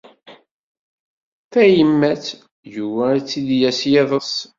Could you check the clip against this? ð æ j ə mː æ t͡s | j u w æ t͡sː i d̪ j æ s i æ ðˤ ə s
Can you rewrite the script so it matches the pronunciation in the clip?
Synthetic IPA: θ æ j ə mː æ t͡s | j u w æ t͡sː i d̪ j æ s j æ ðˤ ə s